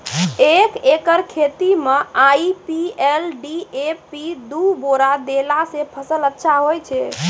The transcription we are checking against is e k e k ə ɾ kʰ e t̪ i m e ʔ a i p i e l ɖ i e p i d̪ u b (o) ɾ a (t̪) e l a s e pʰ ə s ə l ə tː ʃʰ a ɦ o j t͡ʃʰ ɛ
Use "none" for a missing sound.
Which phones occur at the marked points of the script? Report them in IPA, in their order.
o, d̪

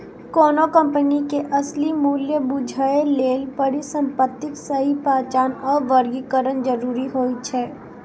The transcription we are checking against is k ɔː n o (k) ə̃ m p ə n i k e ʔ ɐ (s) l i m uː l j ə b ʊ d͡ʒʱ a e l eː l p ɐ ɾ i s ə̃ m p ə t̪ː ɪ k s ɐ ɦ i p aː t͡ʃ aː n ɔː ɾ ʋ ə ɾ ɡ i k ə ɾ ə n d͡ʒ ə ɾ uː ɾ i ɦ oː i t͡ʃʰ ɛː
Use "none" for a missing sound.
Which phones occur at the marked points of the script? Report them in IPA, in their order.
k, s

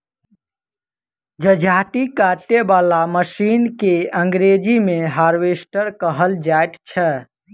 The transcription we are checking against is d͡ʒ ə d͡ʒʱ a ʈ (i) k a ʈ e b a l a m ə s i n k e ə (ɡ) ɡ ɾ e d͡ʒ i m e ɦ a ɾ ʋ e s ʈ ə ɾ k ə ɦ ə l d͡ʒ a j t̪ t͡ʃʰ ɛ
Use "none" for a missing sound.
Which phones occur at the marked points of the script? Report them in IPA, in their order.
i, ŋ

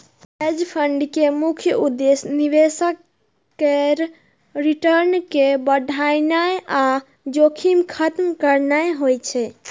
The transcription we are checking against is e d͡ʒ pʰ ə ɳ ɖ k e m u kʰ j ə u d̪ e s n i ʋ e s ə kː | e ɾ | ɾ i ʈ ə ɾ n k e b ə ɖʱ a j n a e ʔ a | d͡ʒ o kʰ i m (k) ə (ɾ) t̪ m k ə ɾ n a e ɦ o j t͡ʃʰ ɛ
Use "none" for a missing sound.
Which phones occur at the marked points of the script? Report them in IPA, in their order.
kʰ, none

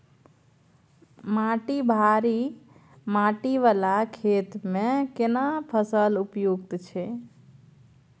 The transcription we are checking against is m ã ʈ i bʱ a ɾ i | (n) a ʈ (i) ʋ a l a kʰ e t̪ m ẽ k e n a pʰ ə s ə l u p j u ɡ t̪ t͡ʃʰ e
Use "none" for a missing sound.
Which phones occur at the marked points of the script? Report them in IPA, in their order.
m, i

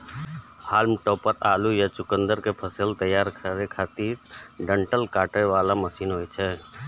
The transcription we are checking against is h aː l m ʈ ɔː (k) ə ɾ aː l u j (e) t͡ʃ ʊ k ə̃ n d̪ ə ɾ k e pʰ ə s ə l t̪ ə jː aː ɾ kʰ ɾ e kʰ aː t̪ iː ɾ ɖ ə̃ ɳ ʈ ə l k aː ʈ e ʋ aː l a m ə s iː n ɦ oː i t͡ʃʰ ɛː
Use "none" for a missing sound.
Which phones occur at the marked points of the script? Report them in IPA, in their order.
p, a

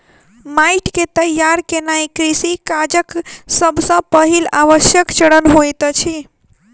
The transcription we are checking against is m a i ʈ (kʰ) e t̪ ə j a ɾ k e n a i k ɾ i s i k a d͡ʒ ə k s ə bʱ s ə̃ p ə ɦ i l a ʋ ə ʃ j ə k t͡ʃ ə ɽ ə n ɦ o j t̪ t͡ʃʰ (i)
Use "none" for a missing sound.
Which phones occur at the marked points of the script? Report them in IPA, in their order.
k, i

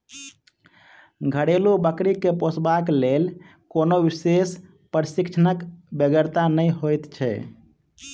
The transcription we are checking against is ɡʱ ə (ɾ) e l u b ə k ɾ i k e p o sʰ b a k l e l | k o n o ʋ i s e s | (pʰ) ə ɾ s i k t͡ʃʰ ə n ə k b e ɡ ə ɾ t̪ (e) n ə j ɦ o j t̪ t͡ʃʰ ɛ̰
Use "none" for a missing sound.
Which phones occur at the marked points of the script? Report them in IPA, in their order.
ɽ, p, a

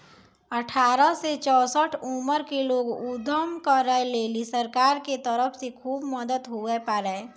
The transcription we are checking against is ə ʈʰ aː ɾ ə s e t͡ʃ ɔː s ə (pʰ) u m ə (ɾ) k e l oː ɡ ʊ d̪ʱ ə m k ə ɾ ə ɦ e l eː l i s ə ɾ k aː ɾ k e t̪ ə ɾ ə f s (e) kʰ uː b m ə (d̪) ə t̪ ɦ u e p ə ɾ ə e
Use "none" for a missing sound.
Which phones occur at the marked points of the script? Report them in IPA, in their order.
ʈʰ, ɾ, e, d̪

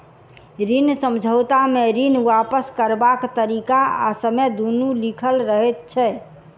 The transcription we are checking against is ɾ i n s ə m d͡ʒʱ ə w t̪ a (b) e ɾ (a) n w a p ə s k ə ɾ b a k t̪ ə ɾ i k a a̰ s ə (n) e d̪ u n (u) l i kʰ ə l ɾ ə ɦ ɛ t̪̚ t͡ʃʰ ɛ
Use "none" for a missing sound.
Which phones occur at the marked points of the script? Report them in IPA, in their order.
m, i, m, u

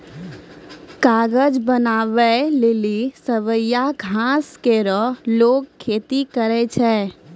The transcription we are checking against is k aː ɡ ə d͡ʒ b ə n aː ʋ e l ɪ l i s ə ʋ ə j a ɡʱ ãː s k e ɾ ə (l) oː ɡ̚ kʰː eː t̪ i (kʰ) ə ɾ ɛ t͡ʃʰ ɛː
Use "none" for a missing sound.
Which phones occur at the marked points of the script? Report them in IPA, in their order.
l, k

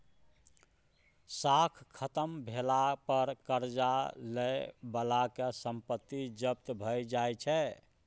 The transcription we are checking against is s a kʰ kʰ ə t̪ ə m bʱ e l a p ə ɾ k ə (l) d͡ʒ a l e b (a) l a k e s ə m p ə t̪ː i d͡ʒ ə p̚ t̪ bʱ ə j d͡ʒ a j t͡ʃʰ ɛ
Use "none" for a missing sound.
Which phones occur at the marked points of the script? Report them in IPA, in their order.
ɾ, ə

